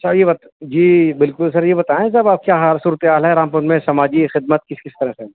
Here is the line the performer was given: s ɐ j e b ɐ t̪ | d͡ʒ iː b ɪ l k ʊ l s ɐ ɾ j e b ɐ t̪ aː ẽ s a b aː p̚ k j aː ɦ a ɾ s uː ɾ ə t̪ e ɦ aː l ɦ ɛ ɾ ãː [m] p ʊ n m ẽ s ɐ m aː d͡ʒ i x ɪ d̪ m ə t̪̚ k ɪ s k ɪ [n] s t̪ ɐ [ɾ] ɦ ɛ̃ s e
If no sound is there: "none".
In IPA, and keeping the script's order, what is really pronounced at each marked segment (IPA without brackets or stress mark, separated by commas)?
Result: m, none, ɾ